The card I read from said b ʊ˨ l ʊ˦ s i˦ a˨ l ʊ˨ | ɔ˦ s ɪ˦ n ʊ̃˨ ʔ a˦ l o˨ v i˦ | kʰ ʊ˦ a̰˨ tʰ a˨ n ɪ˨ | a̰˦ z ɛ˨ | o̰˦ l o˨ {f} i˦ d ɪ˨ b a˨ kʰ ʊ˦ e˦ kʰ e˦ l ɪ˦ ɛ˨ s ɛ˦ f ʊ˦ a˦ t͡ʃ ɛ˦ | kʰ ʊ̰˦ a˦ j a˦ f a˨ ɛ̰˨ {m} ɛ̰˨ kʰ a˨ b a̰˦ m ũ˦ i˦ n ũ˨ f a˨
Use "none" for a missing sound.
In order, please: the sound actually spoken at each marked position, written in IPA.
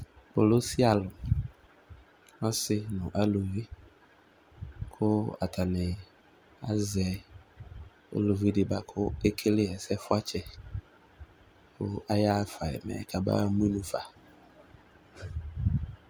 v, m

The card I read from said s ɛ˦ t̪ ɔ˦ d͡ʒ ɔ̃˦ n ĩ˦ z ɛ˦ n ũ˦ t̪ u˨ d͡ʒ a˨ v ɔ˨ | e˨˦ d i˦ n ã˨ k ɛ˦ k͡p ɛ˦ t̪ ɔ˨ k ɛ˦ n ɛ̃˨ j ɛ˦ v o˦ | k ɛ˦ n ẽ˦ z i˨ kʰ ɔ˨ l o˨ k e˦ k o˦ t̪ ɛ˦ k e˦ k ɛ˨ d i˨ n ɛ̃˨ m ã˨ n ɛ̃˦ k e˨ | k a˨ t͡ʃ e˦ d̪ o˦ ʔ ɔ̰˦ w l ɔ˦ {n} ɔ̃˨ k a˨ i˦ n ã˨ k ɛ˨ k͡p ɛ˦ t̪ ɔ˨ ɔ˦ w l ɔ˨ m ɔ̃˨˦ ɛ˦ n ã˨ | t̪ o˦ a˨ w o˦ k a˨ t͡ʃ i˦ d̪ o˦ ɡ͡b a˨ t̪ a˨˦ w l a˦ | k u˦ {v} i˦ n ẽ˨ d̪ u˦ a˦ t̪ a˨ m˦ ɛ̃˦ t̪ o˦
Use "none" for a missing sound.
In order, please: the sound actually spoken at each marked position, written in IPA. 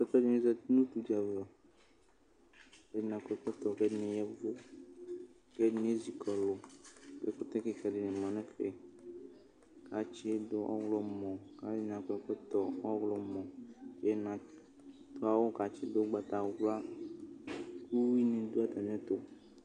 m, w

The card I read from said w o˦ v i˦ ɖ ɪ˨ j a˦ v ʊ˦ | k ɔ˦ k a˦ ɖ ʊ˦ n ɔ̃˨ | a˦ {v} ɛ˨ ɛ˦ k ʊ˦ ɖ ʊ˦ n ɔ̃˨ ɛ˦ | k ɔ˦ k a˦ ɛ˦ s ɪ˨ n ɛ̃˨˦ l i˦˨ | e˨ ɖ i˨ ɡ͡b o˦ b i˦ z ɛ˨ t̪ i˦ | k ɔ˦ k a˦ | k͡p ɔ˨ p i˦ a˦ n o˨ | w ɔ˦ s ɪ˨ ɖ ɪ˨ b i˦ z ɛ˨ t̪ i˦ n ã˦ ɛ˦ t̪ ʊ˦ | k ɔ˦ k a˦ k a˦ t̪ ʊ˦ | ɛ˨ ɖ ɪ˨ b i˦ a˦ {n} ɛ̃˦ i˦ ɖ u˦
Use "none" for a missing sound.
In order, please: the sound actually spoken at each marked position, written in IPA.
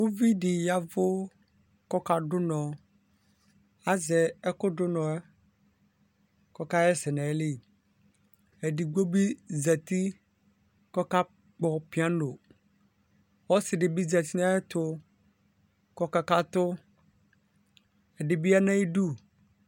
z, n

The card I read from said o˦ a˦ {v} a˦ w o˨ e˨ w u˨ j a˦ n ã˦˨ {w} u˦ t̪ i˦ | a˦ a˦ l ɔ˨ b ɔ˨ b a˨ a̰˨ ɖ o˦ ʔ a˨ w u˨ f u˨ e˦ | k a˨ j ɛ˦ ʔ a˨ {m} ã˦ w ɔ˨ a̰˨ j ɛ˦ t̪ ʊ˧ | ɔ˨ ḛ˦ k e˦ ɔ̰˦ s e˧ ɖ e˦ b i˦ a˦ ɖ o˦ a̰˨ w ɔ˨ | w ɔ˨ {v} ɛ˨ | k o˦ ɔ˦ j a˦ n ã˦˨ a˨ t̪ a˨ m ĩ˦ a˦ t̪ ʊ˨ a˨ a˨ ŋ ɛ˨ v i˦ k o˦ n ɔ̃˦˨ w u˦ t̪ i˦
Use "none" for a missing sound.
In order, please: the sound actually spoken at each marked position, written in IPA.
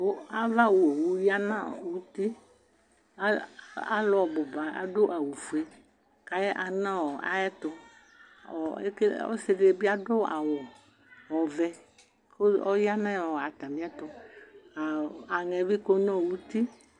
v, w, n, v

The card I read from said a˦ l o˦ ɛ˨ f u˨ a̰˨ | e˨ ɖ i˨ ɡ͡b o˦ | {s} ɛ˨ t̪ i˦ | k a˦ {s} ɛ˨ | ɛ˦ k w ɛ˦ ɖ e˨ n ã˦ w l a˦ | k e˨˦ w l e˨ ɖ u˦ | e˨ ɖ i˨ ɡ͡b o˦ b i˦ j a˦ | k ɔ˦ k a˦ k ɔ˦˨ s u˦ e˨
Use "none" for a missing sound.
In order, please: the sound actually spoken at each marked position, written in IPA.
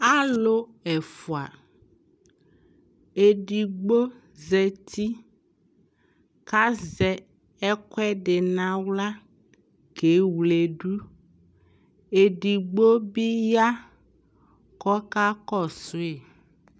z, z

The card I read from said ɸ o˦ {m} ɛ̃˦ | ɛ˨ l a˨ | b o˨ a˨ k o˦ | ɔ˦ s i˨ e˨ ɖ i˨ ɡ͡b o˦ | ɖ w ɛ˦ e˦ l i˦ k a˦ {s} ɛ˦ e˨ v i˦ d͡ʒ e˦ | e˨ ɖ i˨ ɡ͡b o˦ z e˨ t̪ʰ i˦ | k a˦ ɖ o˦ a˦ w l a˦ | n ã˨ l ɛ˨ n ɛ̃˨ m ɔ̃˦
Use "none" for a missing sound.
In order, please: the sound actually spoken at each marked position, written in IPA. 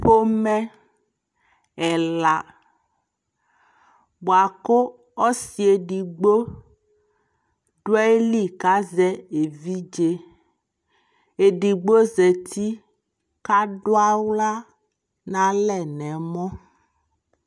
m, z

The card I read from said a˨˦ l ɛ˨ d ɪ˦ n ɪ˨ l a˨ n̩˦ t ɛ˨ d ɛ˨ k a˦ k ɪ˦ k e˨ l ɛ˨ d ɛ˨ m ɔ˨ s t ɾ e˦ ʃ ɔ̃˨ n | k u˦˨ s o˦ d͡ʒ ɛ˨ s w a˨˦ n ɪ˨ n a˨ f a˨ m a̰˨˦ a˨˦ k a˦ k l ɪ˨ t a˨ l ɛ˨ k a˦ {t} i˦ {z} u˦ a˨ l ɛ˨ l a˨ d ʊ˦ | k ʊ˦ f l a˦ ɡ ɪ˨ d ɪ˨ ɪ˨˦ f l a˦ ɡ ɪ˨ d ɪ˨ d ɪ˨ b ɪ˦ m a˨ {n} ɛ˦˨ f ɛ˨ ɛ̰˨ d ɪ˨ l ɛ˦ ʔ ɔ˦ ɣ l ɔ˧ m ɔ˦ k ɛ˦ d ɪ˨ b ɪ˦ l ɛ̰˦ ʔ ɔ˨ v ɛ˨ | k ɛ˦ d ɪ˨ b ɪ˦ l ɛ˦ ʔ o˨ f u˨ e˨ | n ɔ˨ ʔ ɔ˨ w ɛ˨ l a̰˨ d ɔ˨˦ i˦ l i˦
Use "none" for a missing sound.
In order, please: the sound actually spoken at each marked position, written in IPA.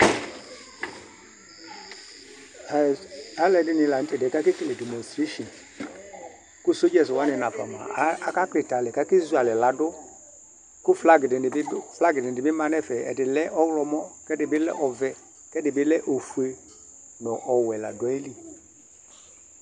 k, z, n

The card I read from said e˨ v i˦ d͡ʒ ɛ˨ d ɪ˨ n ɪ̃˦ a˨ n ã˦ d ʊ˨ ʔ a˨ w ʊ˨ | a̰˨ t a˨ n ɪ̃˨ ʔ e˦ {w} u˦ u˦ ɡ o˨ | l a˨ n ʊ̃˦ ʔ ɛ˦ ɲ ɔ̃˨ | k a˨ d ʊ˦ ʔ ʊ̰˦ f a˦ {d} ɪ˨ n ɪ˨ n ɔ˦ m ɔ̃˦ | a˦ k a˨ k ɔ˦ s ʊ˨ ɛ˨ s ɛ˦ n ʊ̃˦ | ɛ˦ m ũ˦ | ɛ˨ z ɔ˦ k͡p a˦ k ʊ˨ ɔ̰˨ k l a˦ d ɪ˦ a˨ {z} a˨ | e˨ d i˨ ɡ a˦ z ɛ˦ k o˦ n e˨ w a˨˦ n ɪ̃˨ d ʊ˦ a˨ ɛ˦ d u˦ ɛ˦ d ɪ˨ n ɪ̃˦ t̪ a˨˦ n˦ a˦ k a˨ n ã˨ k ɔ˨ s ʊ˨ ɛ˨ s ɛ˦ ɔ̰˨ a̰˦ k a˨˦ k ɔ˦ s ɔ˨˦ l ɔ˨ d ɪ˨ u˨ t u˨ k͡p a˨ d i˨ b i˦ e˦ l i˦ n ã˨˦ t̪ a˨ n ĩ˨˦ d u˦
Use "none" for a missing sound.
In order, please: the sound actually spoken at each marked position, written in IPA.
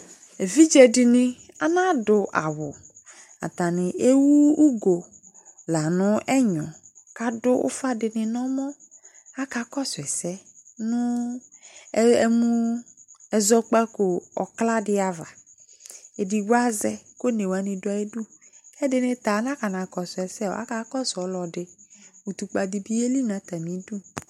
w, d, v

